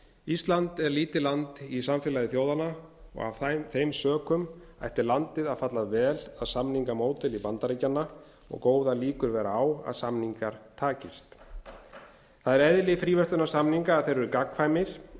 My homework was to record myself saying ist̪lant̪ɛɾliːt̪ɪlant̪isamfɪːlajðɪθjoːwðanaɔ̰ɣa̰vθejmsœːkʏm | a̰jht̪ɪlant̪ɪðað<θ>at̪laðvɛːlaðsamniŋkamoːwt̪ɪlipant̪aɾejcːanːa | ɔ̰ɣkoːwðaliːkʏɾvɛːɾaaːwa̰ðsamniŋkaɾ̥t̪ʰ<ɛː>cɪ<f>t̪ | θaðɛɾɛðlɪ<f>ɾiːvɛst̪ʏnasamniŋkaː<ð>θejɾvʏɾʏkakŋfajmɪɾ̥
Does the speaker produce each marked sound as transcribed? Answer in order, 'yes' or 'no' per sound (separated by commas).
no, no, no, yes, yes